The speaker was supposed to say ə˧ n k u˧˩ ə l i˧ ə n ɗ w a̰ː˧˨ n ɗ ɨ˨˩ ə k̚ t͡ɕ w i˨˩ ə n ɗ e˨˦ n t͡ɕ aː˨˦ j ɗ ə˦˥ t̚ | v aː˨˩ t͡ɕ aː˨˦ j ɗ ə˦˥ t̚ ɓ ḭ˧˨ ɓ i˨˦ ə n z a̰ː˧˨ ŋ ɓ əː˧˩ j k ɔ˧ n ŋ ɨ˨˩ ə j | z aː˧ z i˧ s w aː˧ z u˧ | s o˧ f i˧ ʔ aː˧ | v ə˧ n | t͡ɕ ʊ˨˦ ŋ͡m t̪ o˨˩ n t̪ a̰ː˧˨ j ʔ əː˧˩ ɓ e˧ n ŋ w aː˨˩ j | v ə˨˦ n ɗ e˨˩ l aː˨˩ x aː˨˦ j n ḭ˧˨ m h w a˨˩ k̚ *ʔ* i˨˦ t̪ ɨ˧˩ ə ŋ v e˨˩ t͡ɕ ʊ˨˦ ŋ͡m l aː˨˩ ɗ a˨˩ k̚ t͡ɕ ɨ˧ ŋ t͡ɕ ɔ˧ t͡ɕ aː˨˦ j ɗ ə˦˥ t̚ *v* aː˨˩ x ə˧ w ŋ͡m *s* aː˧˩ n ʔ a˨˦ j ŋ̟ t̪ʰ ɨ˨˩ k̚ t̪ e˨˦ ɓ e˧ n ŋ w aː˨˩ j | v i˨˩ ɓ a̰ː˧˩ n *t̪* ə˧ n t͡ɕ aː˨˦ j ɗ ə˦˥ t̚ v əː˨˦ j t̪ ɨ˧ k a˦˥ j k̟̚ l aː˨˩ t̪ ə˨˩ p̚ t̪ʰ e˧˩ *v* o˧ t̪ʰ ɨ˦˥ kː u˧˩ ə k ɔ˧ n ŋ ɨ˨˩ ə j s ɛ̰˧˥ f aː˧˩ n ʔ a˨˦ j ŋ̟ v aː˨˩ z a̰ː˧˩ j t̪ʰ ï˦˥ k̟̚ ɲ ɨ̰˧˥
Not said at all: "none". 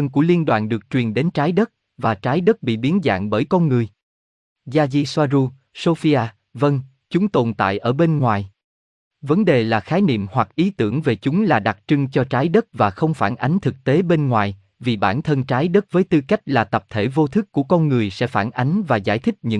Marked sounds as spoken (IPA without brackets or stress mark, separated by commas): ʔ, v, f, t̪ʰ, v